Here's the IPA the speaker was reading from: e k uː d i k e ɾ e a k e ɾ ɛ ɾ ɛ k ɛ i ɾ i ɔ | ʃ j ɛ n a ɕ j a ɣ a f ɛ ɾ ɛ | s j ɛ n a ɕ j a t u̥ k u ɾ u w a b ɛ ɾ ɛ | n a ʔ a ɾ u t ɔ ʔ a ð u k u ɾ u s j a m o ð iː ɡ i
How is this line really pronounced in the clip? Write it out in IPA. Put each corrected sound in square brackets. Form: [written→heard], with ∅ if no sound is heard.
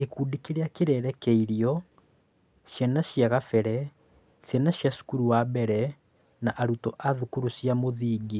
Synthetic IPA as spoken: e k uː d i k e ɾ e a k e ɾ ɛ ɾ ɛ k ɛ i ɾ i ɔ | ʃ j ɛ n a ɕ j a ɣ a f ɛ ɾ ɛ | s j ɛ n a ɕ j a [t→s] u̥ k u ɾ u w a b ɛ ɾ ɛ | n a ʔ a ɾ u t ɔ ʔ a ð u k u ɾ u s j a m o ð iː ɡ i